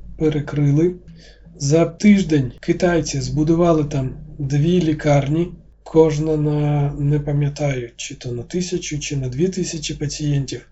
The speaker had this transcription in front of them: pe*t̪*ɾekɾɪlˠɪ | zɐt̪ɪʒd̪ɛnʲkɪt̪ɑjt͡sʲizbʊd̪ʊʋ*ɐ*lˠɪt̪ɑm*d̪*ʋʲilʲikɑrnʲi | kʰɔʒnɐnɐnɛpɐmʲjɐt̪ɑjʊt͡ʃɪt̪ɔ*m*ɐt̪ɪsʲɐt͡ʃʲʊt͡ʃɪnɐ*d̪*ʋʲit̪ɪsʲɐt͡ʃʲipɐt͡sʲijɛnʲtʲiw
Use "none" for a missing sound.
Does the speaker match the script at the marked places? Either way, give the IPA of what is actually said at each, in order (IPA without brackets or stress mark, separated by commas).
none, ɑ, d̪, n, d̪